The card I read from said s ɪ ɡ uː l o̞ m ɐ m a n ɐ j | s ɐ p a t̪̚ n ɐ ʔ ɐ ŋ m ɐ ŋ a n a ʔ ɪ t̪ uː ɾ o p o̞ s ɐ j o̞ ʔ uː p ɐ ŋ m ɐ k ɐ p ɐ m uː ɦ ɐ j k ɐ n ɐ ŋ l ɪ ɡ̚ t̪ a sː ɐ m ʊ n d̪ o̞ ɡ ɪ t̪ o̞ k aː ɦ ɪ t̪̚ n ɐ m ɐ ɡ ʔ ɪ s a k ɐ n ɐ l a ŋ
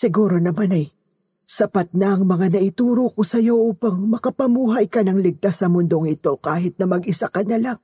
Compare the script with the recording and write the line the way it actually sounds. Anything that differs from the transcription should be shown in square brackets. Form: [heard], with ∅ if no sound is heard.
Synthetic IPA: s ɪ ɡ uː [ɾ] o̞ [n] ɐ m a n ɐ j | s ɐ p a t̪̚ n ɐ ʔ ɐ ŋ m ɐ ŋ a n [ɐ] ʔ ɪ t̪ uː ɾ o [k] o̞ s ɐ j o̞ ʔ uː p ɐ ŋ m ɐ k ɐ p ɐ m uː ɦ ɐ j k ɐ n ɐ ŋ l ɪ ɡ̚ t̪ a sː ɐ m ʊ n d̪ o̞ [ŋ] ɪ t̪ o̞ k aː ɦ ɪ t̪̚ n ɐ m ɐ ɡ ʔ ɪ s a k ɐ n ɐ l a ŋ